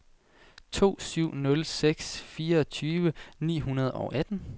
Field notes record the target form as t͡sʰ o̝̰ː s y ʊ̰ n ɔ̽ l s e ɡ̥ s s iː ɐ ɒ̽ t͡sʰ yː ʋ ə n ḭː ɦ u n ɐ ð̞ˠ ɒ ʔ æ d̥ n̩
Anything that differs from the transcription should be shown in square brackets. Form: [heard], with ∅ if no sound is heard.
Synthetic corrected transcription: t͡sʰ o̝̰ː s y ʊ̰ n ɔ̽ l s e ɡ̥ s [f] iː ɐ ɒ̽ t͡sʰ yː ʋ ə n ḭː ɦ u n ɐ ð̞ˠ ɒ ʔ æ d̥ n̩